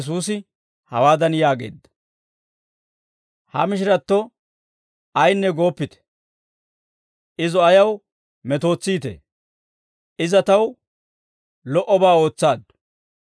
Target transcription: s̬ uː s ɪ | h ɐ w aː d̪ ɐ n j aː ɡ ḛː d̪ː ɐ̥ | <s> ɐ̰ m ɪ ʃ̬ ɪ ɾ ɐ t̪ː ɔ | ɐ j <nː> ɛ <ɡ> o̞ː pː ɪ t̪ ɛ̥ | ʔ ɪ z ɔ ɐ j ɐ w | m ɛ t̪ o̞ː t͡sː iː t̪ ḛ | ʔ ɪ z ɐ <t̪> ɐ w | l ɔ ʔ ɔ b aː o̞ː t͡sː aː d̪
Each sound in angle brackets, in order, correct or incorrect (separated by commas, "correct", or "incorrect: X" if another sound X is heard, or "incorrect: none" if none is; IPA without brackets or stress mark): incorrect: h, correct, correct, correct